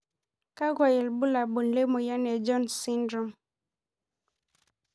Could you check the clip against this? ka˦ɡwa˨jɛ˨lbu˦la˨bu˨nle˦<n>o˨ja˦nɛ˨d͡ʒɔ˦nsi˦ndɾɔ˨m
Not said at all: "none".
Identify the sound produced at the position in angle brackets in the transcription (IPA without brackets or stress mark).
m